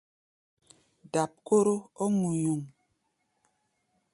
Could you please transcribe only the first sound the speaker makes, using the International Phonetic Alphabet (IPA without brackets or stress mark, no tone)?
d